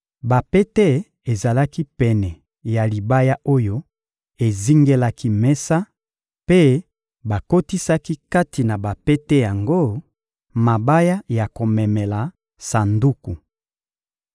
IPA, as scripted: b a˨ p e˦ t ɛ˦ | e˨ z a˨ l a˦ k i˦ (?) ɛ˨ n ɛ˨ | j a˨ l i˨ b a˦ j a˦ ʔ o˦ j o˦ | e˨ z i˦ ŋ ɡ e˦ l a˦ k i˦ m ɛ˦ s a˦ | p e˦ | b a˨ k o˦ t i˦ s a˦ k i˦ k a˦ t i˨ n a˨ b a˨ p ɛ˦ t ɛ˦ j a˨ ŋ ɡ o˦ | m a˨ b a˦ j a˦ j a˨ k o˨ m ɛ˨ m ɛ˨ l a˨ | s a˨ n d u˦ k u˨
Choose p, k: p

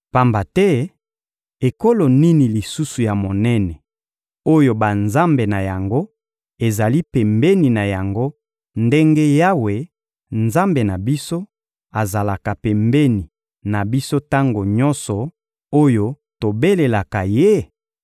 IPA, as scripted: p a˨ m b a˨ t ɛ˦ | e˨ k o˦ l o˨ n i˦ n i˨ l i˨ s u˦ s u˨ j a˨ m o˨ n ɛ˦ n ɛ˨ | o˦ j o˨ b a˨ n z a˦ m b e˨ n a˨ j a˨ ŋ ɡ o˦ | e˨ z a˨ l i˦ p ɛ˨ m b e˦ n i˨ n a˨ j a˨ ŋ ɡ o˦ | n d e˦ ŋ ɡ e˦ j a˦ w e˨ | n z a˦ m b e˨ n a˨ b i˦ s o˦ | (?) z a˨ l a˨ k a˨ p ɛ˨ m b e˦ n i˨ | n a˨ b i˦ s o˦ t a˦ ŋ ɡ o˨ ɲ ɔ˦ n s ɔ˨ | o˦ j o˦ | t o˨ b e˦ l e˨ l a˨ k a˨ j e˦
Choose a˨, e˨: a˨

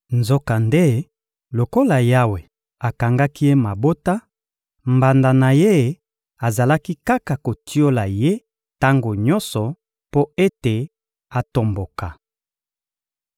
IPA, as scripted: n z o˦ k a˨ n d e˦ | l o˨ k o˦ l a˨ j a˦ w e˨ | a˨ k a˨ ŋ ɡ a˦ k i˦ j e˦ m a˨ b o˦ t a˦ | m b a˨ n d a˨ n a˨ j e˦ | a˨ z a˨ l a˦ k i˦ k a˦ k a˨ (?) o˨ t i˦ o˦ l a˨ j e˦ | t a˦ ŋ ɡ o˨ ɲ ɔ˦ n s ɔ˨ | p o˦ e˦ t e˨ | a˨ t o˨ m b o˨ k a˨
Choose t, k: k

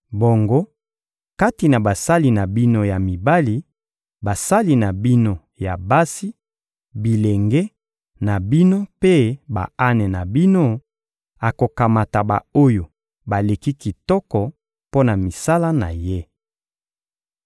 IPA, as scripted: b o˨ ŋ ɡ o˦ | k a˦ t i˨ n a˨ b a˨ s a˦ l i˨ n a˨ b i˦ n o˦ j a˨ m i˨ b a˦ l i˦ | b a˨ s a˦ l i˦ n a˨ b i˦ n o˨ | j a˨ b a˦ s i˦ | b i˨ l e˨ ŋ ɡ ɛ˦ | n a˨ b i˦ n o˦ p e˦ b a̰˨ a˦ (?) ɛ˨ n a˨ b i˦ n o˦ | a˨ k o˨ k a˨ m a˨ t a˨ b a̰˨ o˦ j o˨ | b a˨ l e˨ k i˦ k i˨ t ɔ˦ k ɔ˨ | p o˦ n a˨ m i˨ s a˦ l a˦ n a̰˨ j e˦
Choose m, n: n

